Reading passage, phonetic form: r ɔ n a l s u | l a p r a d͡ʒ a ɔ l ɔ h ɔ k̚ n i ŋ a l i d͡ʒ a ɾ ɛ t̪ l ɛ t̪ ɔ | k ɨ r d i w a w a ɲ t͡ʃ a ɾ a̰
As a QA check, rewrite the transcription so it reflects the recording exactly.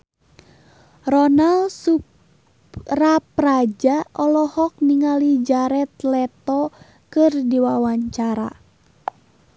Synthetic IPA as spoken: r ɔ n a l s u | r a p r a d͡ʒ a ɔ l ɔ h ɔ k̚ n i ŋ a l i d͡ʒ a ɾ ɛ t̪ l ɛ t̪ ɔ | k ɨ r d i w a w a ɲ t͡ʃ a ɾ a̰

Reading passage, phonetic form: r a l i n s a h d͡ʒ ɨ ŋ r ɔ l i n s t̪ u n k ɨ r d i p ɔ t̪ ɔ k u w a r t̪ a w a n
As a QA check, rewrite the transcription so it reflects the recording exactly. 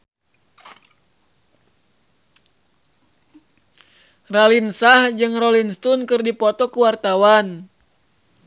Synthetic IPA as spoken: r a l i n s a h d͡ʒ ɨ ŋ r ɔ l i n s t̪ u n k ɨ r d i p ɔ t̪ ɔ k u w a r t̪ a w a n

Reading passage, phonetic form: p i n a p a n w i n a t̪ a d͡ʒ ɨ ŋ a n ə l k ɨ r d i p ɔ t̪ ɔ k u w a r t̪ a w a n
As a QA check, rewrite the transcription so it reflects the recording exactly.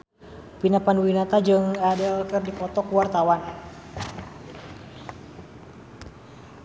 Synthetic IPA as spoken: p i n a p a n w i n a t̪ a d͡ʒ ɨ ŋ a d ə l k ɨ r d i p ɔ t̪ ɔ k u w a r t̪ a w a n

